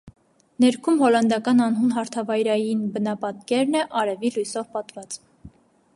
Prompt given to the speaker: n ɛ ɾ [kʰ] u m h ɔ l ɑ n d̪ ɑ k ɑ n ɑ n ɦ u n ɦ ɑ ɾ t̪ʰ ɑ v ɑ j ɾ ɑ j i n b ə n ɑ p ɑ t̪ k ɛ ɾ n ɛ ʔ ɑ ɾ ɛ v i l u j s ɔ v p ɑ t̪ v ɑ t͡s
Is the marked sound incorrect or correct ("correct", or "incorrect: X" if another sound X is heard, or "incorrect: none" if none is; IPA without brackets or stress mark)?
correct